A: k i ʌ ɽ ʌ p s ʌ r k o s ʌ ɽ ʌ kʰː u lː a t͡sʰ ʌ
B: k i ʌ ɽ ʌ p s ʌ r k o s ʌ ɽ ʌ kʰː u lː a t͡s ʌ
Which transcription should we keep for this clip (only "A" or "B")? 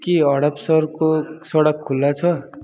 A